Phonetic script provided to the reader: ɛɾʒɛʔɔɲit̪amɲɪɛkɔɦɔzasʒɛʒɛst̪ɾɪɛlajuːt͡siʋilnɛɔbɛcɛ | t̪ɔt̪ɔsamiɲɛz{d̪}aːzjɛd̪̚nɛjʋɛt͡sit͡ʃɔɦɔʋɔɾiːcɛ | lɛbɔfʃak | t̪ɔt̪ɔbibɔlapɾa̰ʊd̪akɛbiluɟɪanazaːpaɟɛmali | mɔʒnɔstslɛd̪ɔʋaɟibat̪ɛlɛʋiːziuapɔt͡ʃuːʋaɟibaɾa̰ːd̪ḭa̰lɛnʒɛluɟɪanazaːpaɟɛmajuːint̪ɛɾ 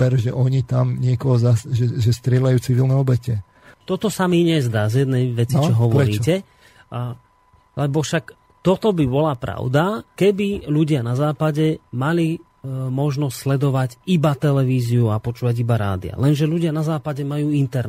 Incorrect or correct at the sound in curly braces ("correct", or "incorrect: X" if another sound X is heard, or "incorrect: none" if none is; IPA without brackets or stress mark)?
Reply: correct